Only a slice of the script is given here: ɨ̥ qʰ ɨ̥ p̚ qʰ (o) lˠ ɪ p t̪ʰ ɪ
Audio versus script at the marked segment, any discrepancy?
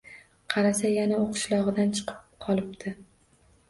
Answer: yes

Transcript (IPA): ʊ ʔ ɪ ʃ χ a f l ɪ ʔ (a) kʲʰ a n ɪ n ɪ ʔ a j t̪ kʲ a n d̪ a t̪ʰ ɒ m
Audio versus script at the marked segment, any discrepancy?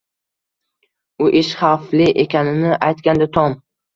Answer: yes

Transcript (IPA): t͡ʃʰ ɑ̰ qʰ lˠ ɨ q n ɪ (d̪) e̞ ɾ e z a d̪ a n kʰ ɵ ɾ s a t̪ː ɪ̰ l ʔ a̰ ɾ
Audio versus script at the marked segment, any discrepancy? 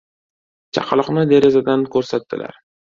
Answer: no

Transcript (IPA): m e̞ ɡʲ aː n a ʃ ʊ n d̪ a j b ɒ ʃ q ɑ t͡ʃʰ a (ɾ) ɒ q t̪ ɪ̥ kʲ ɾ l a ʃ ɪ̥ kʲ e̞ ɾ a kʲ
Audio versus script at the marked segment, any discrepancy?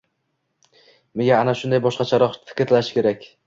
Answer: no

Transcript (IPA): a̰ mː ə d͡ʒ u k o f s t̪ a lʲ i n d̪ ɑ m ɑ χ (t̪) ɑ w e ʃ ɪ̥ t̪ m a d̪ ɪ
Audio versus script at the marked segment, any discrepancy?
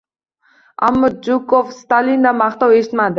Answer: no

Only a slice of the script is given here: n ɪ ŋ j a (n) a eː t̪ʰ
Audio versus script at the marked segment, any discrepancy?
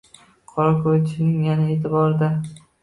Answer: no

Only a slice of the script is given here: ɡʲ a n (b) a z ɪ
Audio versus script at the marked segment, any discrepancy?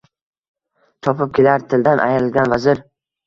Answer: yes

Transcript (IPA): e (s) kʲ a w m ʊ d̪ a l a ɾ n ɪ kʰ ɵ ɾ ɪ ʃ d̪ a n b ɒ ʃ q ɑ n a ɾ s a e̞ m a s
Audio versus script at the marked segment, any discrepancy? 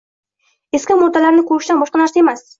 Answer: no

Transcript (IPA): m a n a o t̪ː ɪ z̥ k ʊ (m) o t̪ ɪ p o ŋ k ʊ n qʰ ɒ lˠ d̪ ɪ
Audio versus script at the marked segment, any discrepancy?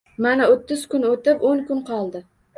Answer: yes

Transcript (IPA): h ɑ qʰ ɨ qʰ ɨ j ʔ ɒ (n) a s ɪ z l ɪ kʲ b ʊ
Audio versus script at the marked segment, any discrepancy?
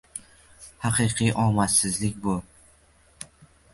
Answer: yes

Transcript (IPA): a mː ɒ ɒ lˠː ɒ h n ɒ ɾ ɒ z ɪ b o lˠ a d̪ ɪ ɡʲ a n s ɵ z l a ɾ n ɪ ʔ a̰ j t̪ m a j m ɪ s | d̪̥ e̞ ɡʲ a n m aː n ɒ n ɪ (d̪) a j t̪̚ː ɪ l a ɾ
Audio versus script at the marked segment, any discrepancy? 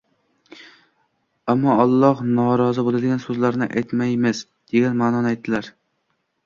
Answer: yes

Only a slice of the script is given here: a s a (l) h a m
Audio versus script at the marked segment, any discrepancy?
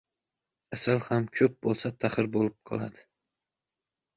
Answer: no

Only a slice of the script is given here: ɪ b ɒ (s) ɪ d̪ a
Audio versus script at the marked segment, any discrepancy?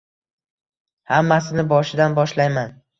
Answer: yes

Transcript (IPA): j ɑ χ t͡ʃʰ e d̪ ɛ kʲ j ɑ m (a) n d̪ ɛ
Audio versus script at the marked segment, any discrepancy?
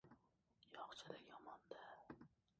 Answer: yes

